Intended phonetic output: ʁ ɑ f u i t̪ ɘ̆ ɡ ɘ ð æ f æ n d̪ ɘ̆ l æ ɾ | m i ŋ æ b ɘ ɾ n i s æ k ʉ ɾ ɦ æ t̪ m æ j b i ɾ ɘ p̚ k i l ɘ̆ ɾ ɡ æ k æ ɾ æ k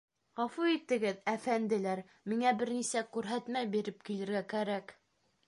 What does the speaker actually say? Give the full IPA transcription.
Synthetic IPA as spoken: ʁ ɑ f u i t̪ ɘ̆ ɡ ɘ ð æ f æ n d̪ ɘ̆ l æ ɾ | m i ŋ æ b ɘ ɾ n i s æ k ʉ ɾ ɦ æ t̪ m æ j b i ɾ ɘ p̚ k i l ɘ̆ ɾ ɡ æ k æ ɾ æ k